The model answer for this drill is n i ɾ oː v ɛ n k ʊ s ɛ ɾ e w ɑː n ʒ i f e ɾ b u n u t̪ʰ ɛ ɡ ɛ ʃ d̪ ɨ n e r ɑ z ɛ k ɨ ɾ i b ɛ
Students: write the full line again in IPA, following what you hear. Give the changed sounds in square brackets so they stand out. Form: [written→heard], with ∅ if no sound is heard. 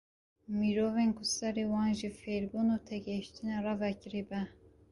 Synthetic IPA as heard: [n→m] i ɾ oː v [ɛ→e] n k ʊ s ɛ ɾ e w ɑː n ʒ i f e ɾ b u n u t̪ʰ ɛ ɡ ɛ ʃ [d̪→t̪] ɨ n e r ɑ [z→v] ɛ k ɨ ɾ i b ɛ